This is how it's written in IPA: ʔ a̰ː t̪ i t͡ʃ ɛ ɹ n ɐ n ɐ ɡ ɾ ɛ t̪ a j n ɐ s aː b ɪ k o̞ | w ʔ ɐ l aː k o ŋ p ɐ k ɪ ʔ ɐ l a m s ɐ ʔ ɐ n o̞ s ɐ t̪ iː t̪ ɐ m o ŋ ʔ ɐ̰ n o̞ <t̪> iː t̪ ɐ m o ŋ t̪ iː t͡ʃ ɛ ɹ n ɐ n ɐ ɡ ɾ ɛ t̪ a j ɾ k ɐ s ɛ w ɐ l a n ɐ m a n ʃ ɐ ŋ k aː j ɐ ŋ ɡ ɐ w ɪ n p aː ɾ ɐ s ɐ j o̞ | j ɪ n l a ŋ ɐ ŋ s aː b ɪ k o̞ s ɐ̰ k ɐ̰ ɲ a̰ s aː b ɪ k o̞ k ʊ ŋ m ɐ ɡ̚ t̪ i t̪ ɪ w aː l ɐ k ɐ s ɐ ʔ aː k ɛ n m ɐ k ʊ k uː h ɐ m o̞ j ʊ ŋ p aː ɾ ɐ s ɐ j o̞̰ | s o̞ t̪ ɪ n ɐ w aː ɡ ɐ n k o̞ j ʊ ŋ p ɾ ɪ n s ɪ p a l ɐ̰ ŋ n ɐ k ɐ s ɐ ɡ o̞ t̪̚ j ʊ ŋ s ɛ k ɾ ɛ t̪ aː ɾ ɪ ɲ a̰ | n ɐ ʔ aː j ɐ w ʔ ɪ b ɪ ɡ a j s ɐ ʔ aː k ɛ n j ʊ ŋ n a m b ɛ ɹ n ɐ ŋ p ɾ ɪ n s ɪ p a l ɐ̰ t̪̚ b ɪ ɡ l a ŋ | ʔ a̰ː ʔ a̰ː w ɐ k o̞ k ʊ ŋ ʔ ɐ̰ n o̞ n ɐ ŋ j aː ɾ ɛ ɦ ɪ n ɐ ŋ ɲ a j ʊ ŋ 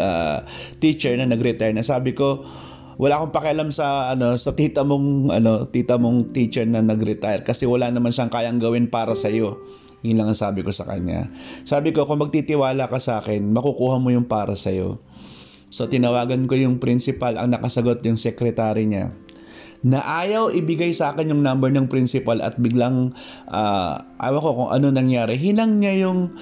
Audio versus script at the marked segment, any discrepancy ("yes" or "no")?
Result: no